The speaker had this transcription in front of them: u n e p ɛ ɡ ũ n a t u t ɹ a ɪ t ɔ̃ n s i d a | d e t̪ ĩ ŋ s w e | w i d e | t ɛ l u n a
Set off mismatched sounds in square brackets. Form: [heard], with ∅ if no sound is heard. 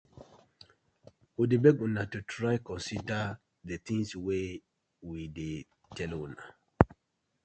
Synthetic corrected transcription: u [d] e [b] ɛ ɡ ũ n a t u t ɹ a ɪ [k] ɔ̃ n s i d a | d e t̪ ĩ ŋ s w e | w i d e | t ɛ l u n a

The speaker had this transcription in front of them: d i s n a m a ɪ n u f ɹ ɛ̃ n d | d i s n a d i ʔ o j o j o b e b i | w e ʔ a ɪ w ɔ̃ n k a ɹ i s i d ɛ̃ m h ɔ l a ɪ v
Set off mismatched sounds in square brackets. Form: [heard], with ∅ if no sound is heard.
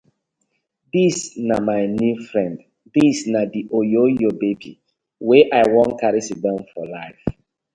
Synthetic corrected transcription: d i s n a m a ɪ n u f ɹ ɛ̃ n d | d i s n a d i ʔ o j o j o b e b i | w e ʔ a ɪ w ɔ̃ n k a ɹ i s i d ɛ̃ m [f] ɔ l a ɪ [f]

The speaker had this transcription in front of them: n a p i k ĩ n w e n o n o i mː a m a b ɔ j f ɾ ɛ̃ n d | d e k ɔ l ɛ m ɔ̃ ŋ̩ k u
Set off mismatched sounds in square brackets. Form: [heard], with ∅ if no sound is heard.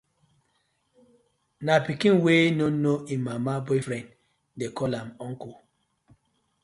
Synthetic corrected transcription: n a p i k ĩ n w e n o n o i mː a m a b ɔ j f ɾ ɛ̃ n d | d e k ɔ l [a] m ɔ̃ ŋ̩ k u

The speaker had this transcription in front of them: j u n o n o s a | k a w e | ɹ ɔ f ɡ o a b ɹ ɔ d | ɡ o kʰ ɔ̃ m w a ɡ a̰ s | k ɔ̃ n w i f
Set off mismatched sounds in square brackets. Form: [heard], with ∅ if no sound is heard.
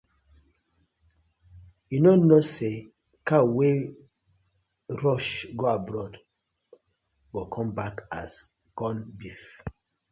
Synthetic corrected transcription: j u n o n o s [e] | k a w e | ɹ ɔ [ʃ] ɡ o a b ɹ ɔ d | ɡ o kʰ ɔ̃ m [b] a [k] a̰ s | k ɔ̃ n [b] i f

